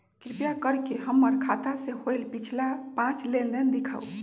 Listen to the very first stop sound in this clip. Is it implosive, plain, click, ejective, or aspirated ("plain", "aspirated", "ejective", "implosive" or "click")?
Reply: plain